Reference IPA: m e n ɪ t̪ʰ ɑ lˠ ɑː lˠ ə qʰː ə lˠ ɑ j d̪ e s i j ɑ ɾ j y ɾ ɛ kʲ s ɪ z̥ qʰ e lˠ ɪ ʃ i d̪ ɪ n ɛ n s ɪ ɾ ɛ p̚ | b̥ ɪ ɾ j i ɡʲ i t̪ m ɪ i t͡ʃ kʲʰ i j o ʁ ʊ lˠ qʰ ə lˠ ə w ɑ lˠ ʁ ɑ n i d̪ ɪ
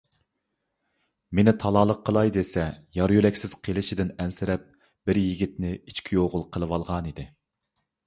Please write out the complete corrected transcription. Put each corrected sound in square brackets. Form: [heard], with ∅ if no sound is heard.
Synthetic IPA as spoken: m e n ɪ t̪ʰ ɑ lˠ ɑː lˠ ə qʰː ə lˠ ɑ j d̪ e s [ɛ] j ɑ ɾ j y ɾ ɛ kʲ s ɪ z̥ qʰ e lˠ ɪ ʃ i d̪ ɪ n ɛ n s ɪ ɾ ɛ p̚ | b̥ ɪ ɾ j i ɡʲ i t̪ [n] ɪ i t͡ʃ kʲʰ i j o ʁ ʊ lˠ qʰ ə lˠ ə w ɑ lˠ ʁ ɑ n i d̪ ɪ